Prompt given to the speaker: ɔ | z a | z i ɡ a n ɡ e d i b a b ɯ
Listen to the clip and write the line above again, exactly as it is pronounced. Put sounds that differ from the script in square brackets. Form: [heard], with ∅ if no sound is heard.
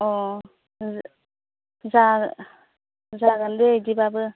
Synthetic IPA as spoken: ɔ | z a | z [a] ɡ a n [d] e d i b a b ɯ